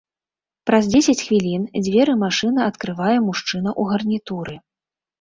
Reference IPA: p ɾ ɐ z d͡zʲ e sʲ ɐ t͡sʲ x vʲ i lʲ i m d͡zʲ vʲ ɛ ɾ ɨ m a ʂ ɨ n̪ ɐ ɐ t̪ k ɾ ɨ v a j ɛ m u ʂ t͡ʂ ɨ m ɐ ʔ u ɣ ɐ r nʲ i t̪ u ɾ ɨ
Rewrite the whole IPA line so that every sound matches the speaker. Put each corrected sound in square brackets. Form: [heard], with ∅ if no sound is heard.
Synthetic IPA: p ɾ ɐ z d͡zʲ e sʲ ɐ t͡sʲ x vʲ i lʲ i [n] d͡zʲ vʲ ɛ ɾ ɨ m a ʂ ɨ n̪ ɐ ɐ t̪ k ɾ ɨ v a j ɛ m u ʂ t͡ʂ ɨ [n] ɐ ʔ u ɣ ɐ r nʲ i t̪ u ɾ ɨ